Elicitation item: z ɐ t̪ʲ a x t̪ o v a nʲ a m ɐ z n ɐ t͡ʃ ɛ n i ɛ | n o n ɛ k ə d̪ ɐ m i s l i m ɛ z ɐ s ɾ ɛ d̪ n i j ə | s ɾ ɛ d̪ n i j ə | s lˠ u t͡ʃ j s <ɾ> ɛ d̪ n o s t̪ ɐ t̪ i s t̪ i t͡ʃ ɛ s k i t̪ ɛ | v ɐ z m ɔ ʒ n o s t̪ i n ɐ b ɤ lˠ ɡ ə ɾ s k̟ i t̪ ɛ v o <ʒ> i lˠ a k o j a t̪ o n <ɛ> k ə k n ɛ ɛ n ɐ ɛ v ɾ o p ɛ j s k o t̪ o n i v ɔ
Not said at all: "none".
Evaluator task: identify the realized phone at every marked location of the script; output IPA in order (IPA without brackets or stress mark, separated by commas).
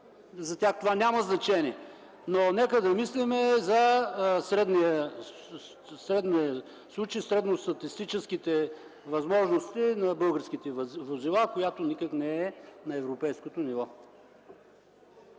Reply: ɾ, z, i